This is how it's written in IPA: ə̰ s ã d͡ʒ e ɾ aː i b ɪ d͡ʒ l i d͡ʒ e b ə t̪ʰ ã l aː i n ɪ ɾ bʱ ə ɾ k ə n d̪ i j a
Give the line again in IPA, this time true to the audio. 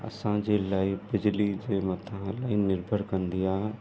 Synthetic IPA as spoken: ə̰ s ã d͡ʒ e l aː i b ɪ d͡ʒ l i d͡ʒ e m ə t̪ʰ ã l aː i n ɪ ɾ bʱ ə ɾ k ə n d̪ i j a